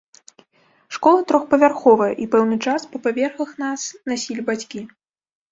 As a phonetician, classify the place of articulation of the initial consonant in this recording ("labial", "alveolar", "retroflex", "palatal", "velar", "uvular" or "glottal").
retroflex